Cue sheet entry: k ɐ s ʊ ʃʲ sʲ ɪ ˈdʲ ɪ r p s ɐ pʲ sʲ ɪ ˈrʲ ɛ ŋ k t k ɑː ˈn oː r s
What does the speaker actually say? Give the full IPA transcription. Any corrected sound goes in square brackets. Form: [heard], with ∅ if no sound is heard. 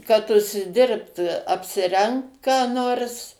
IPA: k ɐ [t] ʊ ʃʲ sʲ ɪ ˈdʲ ɪ r p [t] ɐ pʲ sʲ ɪ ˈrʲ ɛ ŋ k t k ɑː ˈn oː r s